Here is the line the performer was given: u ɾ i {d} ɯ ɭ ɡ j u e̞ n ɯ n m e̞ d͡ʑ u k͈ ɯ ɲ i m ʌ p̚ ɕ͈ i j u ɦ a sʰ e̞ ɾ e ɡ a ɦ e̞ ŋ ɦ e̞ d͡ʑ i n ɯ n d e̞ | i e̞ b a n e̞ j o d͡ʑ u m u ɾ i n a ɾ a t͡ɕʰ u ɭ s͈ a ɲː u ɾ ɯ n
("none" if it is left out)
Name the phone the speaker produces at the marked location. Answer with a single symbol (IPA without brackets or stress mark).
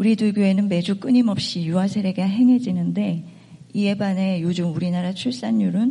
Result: d